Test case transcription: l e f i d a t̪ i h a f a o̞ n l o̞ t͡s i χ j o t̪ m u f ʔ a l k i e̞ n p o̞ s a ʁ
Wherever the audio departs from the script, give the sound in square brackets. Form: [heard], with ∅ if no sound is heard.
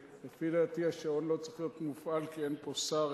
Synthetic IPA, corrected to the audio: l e f i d a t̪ i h a [ʃ] a o̞ n l o̞ t͡s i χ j o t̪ m u f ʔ a l k i e̞ n p o̞ s a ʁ

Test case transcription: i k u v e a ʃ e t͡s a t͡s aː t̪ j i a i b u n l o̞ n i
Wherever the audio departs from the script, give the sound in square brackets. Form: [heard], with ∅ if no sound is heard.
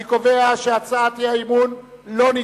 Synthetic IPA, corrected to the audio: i k [o] v e a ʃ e [∅] a t͡s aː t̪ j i a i [m] u n l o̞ n i

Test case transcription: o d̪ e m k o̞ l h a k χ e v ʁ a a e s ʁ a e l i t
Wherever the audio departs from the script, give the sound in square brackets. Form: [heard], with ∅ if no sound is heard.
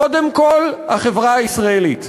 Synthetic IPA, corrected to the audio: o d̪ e m k o̞ l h a [∅] χ e v ʁ a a [i] s ʁ a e l i t

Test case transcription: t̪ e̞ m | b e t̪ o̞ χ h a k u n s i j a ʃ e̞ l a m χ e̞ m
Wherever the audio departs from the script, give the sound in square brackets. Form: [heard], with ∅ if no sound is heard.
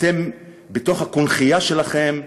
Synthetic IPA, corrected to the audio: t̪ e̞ m | b e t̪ o̞ χ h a k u n [χ] i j a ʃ e̞ l a [∅] χ e̞ m

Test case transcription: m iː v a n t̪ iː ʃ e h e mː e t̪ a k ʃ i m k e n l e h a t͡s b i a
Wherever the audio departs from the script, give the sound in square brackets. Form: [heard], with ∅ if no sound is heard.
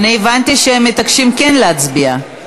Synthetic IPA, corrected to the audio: [n] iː v a n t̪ [i] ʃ e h e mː e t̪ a k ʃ i m k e n l e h a t͡s b i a

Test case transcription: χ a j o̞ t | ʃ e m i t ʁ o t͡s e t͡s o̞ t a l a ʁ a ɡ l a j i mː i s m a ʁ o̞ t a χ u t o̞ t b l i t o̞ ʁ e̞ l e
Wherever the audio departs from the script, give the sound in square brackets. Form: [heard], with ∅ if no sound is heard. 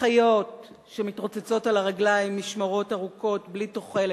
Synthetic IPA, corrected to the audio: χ a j o̞ t | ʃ e m i t ʁ o t͡s e t͡s o̞ t a l a ʁ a ɡ l a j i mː i [ʃ] m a ʁ o̞ t a [ʁ] u [k] o̞ t b l i t o̞ [χ] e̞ l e

